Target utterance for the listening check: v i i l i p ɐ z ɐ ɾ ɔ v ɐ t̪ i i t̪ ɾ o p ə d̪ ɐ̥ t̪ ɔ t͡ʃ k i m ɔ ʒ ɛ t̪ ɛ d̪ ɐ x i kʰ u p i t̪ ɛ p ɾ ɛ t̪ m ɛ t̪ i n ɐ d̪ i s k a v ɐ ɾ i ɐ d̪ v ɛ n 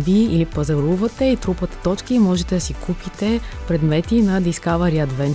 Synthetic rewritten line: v i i l i p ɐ z ɐ ɾ u v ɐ t̪ ɛ i t̪ ɾ u p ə t̪ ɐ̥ t̪ ɔ t͡ʃ k i m ɔ ʒ ɛ t̪ ɛ d̪ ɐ s i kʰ u p i t̪ ɛ p ɾ ɛ d̪ m ɛ t̪ i n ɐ d̪ i s k a v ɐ ɾ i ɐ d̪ v ɛ n